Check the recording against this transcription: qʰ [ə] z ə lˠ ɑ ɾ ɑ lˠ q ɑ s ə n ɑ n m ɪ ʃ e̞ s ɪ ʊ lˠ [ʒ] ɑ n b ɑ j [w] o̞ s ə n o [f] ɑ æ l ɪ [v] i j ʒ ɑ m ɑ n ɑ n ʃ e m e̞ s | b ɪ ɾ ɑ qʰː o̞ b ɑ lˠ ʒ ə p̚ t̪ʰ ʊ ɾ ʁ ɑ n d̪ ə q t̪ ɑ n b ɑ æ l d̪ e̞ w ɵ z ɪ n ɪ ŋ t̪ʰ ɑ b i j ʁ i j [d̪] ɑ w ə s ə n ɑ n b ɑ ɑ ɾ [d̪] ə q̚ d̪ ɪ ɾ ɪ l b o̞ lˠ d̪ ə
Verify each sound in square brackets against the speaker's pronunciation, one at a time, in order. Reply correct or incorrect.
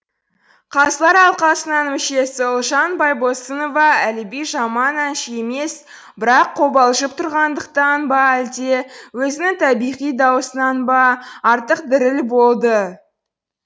incorrect: ɑ, correct, incorrect: b, incorrect: v, incorrect: b, correct, incorrect: t̪

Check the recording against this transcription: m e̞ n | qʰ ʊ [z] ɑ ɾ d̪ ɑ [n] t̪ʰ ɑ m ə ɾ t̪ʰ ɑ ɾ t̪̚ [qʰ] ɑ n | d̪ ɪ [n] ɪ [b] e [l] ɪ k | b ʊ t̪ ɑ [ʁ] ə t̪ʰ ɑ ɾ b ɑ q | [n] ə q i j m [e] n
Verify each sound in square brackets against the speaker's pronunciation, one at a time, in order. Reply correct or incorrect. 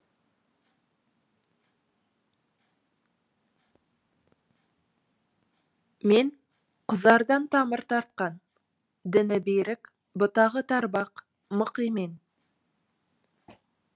correct, correct, incorrect: q, correct, correct, incorrect: ɾ, correct, incorrect: m, correct

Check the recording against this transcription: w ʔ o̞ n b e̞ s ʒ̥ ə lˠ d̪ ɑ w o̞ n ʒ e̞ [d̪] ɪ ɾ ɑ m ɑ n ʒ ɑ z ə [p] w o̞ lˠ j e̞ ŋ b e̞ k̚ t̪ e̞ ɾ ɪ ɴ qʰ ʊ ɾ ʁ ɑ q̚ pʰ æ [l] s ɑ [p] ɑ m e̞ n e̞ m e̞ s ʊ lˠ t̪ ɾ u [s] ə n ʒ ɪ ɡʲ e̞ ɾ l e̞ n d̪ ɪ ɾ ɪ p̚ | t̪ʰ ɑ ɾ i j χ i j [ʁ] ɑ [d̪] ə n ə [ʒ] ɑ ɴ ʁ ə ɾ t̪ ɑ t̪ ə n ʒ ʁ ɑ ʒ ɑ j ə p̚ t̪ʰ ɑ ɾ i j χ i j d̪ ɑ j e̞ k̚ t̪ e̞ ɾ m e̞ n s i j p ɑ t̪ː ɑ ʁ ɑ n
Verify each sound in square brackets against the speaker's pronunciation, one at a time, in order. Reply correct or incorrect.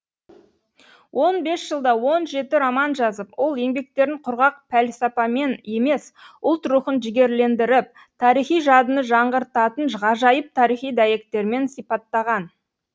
incorrect: t̪, correct, correct, correct, incorrect: χ, incorrect: ʒ, correct, correct

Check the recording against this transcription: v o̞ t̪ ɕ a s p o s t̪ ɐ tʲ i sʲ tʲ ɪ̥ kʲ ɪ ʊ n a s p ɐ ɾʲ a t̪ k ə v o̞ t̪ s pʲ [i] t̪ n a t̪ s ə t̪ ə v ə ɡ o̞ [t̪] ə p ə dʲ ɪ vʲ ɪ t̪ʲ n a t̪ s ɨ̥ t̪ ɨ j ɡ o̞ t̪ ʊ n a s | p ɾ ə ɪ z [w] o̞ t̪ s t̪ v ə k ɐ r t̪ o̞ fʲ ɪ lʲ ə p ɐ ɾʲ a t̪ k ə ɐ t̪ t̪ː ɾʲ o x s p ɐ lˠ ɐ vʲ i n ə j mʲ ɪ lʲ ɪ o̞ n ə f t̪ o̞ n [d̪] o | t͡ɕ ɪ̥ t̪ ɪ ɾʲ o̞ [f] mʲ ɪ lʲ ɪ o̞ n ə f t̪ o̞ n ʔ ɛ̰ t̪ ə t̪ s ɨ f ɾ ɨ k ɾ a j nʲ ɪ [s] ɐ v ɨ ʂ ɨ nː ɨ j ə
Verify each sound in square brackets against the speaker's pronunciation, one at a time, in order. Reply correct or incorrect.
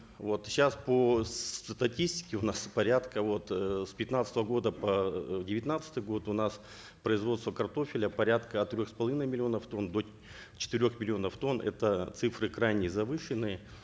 incorrect: ɪ, incorrect: d̪, incorrect: v, correct, incorrect: x, incorrect: z

